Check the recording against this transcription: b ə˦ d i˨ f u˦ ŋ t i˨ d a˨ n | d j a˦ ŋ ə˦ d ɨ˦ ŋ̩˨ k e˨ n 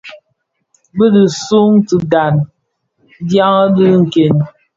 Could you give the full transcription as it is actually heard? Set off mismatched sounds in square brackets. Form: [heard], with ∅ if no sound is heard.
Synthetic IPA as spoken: b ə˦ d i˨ [s] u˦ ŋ t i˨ d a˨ n | d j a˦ ŋ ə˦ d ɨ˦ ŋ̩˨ k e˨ n